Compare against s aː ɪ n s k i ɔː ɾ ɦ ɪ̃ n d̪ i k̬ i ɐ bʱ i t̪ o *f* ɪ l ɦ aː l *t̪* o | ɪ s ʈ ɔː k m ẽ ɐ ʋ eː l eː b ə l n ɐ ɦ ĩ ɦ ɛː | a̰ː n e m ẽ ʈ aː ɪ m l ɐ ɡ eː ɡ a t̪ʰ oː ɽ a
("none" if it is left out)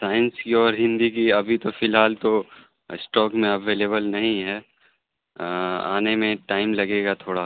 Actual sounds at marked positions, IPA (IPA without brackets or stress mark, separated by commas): f, t̪